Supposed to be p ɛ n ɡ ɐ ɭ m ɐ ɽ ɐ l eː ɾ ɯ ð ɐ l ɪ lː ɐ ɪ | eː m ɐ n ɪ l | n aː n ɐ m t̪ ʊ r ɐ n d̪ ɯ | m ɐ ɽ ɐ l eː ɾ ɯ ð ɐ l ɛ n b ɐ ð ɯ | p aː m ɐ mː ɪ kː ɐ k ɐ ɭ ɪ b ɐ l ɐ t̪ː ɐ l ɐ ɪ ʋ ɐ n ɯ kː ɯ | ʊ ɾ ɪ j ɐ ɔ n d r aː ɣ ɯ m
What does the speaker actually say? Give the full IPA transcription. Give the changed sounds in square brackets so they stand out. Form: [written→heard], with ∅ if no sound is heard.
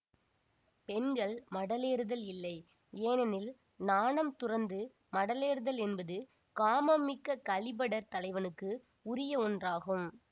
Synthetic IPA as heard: p ɛ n ɡ ɐ ɭ m ɐ ɽ ɐ l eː ɾ ɯ ð ɐ l ɪ lː ɐ ɪ | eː [m→n] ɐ n ɪ l | n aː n ɐ m t̪ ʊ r ɐ n d̪ ɯ | m ɐ ɽ ɐ l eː ɾ ɯ ð ɐ l ɛ n b ɐ ð ɯ | [p→k] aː m ɐ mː ɪ kː ɐ k ɐ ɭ ɪ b ɐ [l→ɽ] ɐ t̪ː ɐ l ɐ ɪ ʋ ɐ n ɯ kː ɯ | ʊ ɾ ɪ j ɐ ɔ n d r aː ɣ ɯ m

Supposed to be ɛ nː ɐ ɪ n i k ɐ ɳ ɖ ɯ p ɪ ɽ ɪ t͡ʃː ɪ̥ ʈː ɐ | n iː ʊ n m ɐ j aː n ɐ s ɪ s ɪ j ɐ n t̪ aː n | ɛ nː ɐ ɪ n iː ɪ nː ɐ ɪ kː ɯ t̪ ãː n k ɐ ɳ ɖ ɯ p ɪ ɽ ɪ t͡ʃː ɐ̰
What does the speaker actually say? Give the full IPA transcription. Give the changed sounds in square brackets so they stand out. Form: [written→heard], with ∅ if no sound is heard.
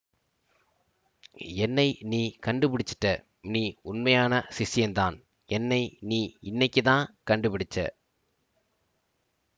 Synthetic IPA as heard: ɛ nː ɐ ɪ n [i→iː] k ɐ ɳ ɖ ɯ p ɪ ɽ ɪ t͡ʃː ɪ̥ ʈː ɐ | n iː ʊ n m ɐ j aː n ɐ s ɪ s ɪ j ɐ n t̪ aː n | ɛ nː ɐ ɪ n iː ɪ nː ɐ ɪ kː ɯ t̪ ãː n k ɐ ɳ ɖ ɯ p ɪ ɽ ɪ t͡ʃː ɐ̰

